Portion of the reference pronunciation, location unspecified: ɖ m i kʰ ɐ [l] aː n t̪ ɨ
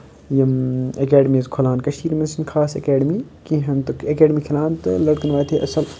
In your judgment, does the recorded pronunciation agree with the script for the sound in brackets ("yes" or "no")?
yes